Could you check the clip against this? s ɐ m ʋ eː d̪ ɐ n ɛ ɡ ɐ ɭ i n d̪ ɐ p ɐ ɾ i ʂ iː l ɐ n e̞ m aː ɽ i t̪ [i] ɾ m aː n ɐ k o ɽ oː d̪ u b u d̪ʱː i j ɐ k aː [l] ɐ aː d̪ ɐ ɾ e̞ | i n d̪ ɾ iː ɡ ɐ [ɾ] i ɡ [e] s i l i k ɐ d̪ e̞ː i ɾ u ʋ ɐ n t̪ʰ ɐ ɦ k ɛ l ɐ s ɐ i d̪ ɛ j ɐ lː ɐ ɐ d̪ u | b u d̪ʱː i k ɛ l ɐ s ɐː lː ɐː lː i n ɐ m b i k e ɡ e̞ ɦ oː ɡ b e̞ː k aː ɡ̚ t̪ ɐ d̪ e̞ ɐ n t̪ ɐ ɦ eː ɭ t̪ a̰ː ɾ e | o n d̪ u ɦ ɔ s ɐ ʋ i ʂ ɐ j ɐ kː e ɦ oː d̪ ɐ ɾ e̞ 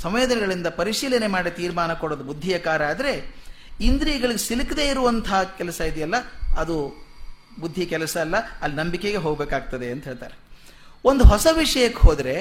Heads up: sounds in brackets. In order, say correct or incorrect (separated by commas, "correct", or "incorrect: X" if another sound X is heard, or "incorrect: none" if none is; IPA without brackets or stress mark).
incorrect: iː, incorrect: ɾ, incorrect: ɭ, correct